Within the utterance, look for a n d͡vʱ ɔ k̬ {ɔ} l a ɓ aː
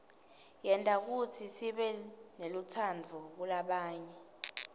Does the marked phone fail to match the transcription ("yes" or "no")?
yes